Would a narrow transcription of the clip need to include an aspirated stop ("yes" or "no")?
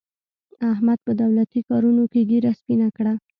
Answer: no